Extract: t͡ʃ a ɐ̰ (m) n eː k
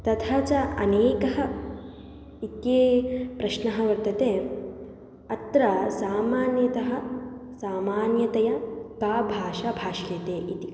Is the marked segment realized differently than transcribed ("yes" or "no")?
yes